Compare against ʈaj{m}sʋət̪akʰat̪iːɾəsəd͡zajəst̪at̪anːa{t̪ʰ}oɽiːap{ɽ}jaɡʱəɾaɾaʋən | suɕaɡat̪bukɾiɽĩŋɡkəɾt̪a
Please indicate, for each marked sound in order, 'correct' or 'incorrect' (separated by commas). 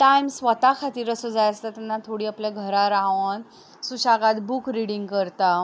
correct, correct, incorrect